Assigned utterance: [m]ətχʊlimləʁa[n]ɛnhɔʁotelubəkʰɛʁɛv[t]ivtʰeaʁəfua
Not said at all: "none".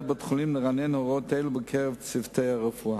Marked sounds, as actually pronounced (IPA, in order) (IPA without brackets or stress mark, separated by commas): b, n, t͡s